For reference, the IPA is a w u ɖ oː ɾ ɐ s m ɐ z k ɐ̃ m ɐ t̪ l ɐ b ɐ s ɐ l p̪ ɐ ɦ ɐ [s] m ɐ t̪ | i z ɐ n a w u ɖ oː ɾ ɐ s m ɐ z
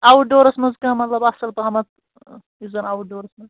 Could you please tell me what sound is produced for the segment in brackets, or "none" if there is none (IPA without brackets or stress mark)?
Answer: none